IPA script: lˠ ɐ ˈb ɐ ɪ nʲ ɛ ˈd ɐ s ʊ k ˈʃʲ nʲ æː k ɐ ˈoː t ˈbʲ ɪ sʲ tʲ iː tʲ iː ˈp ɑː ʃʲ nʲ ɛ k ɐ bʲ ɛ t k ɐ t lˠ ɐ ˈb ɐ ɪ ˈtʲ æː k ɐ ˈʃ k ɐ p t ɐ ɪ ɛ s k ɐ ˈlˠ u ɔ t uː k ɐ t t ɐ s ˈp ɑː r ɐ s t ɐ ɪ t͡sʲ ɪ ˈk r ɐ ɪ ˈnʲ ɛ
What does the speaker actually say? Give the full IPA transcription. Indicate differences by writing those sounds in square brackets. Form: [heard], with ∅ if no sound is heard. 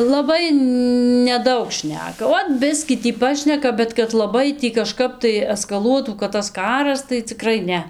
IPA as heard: lˠ ɐ ˈb ɐ ɪ nʲ ɛ ˈd ɐ [∅] ʊ k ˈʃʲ nʲ æː k ɐ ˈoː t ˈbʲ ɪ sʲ [kʲ] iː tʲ iː ˈp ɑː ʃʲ nʲ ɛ k ɐ bʲ ɛ t k ɐ t lˠ ɐ ˈb ɐ ɪ ˈtʲ [iː] k ɐ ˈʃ k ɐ p t ɐ ɪ ɛ s k ɐ ˈlˠ u ɔ t uː k ɐ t t ɐ s [ˈk] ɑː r ɐ s t ɐ ɪ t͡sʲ ɪ ˈk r ɐ ɪ ˈnʲ ɛ

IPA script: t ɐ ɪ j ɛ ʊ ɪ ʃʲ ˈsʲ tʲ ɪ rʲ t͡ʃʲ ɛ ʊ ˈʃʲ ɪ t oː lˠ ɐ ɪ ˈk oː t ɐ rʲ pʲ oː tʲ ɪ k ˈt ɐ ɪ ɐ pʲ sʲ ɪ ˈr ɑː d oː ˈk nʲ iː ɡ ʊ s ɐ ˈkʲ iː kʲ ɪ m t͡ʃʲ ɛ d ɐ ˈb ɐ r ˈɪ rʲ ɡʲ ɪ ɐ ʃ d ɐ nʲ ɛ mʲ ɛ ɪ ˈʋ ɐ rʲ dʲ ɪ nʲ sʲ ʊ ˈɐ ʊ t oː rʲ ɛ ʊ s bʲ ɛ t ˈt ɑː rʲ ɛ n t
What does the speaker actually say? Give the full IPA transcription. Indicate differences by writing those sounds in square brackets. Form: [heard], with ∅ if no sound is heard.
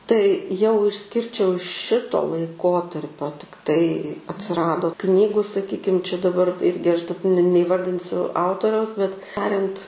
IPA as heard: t ɐ ɪ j ɛ ʊ ɪ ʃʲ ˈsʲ [kʲ] ɪ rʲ t͡ʃʲ ɛ ʊ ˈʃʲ ɪ t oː lˠ ɐ ɪ ˈk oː t ɐ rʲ pʲ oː tʲ ɪ k ˈt ɐ ɪ ɐ [tʲ] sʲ ɪ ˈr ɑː d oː ˈk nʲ iː ɡ ʊ s ɐ ˈkʲ iː kʲ ɪ m t͡ʃʲ ɛ d ɐ ˈb ɐ r ˈɪ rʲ ɡʲ ɪ ɐ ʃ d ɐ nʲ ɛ [nʲ] ɛ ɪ ˈʋ ɐ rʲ dʲ ɪ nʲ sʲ ʊ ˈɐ ʊ t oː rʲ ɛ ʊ s bʲ ɛ t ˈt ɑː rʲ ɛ n t

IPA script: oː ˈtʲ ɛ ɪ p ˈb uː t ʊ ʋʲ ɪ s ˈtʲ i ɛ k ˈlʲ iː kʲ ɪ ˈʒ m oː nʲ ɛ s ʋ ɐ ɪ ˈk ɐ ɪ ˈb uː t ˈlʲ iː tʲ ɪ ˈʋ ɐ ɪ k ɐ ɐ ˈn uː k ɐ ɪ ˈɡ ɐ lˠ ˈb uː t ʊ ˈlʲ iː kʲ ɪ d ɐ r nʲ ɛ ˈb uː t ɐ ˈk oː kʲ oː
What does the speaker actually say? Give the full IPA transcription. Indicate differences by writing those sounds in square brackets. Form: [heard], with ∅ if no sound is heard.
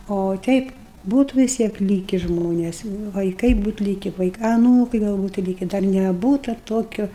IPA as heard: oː ˈtʲ ɛ ɪ p ˈb uː t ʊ ʋʲ ɪ s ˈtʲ i ɛ k ˈlʲ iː kʲ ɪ ˈʒ m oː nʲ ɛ s ʋ ɐ ɪ ˈk ɐ ɪ ˈb uː t ˈlʲ iː [kʲ] ɪ ˈʋ ɐ ɪ k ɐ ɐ ˈn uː k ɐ ɪ ˈɡ ɐ lˠ ˈb uː t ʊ ˈlʲ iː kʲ ɪ d ɐ r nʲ ɛ ˈb uː t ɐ [ˈt] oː kʲ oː

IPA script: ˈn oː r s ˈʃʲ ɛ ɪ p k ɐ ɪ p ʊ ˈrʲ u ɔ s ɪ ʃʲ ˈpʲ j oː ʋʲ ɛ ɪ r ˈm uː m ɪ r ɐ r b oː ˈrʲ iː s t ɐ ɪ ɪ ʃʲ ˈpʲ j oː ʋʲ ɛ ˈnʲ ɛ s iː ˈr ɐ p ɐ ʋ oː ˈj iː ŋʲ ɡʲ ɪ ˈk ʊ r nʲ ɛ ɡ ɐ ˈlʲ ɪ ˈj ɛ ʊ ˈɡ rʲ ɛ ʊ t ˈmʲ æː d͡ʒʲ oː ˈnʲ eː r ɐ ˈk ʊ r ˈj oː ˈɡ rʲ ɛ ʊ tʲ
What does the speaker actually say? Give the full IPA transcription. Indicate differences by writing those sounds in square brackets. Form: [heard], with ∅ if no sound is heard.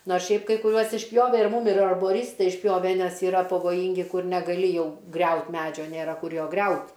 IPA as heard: ˈn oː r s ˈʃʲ ɛ ɪ p k ɐ ɪ [k] ʊ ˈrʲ u ɔ s ɪ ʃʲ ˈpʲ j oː ʋʲ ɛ ɪ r ˈm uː m ɪ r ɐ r b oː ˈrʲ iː s t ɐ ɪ ɪ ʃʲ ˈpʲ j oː ʋʲ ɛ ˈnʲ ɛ s iː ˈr ɐ p ɐ ʋ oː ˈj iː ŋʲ ɡʲ ɪ ˈk ʊ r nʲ ɛ ɡ ɐ ˈlʲ ɪ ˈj ɛ ʊ ˈɡ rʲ ɛ ʊ t ˈmʲ æː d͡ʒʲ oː ˈnʲ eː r ɐ ˈk ʊ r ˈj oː ˈɡ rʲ ɛ ʊ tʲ

